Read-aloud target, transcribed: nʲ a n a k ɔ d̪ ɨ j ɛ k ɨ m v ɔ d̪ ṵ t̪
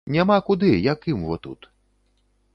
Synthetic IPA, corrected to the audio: nʲ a m a k u d̪ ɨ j a k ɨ m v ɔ t̪ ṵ t̪